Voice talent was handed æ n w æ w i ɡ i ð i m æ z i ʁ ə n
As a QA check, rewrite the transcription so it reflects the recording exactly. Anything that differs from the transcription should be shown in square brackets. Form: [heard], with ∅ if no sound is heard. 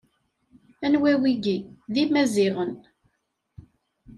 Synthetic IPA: æ n w æ w i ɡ i ð i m æ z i ʁ ə n